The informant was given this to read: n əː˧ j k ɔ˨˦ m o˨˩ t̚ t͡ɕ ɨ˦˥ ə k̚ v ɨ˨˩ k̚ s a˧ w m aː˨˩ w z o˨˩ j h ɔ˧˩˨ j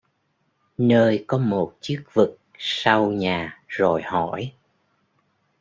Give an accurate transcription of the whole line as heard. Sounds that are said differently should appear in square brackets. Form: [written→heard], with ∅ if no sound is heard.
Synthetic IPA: n əː˧ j k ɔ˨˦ m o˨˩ t̚ t͡ɕ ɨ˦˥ ə k̚ v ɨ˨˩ k̚ s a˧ w [m→ɲ] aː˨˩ [w→∅] z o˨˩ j h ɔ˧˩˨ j

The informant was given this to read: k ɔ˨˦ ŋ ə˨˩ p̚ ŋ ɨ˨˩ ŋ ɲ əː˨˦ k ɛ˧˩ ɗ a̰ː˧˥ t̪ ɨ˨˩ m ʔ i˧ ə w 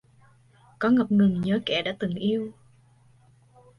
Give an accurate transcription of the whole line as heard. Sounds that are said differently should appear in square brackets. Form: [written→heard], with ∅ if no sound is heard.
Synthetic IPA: k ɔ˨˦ ŋ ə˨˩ p̚ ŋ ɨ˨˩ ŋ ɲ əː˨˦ k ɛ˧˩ ɗ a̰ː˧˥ t̪ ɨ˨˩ [m→ŋ] ʔ i˧ ə w

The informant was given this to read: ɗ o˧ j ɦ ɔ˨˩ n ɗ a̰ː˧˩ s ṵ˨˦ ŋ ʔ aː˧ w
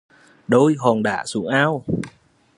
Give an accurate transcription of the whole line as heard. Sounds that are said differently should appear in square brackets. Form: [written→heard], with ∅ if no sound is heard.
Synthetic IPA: ɗ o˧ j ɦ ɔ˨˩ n ɗ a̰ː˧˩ s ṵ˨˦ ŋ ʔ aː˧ w

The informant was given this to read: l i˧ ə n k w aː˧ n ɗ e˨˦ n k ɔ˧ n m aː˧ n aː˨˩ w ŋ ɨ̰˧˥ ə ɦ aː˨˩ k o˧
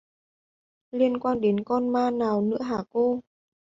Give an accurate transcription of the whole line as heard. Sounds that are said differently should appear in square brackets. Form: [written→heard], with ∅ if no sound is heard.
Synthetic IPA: l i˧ ə n k w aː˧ n ɗ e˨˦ n k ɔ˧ n m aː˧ n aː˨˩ w [ŋ→n] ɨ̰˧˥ ə ɦ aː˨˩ k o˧

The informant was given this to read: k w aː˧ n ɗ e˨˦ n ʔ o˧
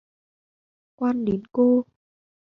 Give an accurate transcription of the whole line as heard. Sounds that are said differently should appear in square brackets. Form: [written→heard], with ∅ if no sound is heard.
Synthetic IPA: k w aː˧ n ɗ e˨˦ n [ʔ→k] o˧

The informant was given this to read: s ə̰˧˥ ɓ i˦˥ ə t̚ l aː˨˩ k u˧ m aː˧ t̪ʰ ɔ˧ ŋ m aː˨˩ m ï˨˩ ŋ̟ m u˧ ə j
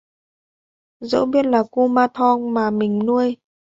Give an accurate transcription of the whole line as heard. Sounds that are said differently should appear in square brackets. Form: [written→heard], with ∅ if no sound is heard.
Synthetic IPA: [s→z] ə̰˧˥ ɓ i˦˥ ə t̚ l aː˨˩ k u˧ m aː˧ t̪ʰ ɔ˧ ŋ m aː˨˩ m ï˨˩ ŋ̟ [m→n] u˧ ə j

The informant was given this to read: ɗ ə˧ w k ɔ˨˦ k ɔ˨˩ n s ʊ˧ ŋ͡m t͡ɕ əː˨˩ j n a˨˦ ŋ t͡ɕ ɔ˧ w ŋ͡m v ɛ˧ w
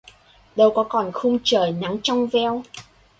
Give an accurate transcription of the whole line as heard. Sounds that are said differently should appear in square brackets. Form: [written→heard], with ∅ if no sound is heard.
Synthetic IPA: ɗ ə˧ w k ɔ˨˦ k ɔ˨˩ n [s→x] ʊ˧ ŋ͡m t͡ɕ əː˨˩ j n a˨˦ ŋ t͡ɕ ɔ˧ w ŋ͡m v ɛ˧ w

